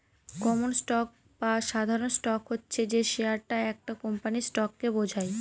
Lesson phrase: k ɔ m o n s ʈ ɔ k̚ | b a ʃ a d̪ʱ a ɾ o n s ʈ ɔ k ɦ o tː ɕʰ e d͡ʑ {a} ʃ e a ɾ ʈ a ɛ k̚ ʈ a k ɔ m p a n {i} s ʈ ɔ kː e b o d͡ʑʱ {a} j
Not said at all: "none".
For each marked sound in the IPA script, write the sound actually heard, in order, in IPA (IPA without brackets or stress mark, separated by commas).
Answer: e, i, a